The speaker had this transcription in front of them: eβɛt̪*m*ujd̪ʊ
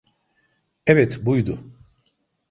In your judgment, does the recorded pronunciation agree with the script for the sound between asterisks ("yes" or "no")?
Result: no